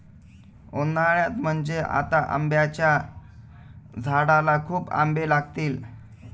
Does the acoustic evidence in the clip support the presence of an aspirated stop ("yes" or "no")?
yes